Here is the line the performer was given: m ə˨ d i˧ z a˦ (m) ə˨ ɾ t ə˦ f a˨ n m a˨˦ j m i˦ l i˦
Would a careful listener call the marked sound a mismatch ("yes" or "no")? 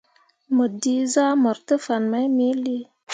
no